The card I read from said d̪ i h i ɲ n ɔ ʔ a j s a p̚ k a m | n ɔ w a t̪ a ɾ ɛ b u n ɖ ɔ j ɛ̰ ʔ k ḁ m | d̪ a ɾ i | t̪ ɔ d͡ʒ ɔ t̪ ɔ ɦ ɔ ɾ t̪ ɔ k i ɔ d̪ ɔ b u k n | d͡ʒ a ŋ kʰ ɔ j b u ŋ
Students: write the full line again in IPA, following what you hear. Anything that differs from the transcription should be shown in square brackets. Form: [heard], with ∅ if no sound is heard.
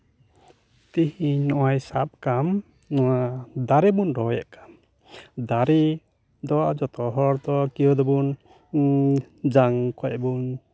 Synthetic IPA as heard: [t̪] i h i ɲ n ɔ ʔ a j s a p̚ k a m | n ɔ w a [d̪] a ɾ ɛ b u n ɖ ɔ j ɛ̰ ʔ k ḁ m | d̪ a ɾ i | [d̪] ɔ d͡ʒ ɔ t̪ ɔ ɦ ɔ ɾ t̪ ɔ k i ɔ d̪ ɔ b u [∅] n | d͡ʒ a ŋ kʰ ɔ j b u [n]